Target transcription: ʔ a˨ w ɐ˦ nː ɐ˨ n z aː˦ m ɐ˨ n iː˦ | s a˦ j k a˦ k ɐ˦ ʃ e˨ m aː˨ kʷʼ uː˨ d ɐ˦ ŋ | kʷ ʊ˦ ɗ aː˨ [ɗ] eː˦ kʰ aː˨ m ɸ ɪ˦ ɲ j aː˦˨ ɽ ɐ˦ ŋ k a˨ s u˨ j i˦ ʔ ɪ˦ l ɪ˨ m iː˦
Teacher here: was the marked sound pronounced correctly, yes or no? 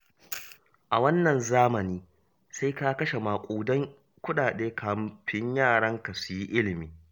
yes